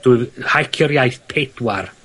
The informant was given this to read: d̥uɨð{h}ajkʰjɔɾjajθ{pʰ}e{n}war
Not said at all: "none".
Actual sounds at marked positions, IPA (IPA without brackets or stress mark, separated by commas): h, pʰ, d